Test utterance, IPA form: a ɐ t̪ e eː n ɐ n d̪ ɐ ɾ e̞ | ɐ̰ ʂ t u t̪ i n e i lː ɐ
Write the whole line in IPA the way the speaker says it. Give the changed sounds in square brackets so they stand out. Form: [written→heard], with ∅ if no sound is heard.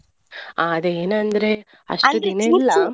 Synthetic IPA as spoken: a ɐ [t̪→d̪] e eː n ɐ n d̪ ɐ ɾ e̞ | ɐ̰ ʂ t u [t̪→d̪] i n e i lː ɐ